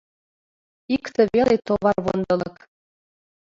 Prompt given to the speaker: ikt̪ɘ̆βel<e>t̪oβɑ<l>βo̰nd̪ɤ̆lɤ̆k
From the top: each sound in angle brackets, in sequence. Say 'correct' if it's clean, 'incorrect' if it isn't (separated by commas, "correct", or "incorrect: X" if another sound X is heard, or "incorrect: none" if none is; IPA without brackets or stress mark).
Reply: correct, incorrect: r